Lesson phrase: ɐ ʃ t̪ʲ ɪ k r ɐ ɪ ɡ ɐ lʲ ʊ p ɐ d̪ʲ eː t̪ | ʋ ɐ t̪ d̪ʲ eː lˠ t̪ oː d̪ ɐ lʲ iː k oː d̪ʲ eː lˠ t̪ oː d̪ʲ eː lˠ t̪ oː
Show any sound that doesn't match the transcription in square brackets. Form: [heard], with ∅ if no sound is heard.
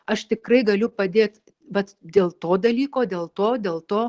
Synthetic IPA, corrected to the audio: ɐ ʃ t̪ʲ ɪ k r ɐ ɪ ɡ ɐ lʲ ʊ p ɐ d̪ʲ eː t̪ | ʋ ɐ t̪ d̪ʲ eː lˠ t̪ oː d̪ ɐ lʲ iː k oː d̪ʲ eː lˠ t̪ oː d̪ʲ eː lˠ t̪ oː